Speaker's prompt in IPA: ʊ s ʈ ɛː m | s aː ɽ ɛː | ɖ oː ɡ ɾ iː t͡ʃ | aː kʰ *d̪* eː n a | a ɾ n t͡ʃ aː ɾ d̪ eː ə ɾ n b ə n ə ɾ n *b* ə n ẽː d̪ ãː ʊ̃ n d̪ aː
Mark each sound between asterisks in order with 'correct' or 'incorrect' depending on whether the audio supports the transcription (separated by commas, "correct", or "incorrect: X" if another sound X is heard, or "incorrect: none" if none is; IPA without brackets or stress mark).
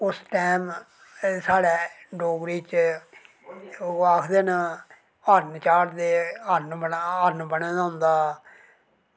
correct, correct